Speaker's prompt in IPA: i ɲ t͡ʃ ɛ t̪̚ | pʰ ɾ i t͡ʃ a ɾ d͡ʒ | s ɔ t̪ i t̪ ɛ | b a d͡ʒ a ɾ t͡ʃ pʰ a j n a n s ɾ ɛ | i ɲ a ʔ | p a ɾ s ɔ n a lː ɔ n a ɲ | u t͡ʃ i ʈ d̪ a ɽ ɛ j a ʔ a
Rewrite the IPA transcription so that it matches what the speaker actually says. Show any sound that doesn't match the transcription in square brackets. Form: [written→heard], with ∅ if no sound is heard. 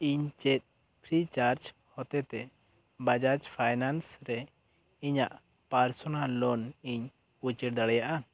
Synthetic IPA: i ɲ t͡ʃ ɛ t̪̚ | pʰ ɾ i t͡ʃ a ɾ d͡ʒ | [s→h] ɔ t̪ [i→ɛ] t̪ ɛ | b a d͡ʒ a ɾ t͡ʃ pʰ a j n a n s ɾ ɛ | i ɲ a ʔ | p a ɾ s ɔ n a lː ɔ n [a→i] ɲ | u t͡ʃ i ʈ d̪ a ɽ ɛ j a ʔ a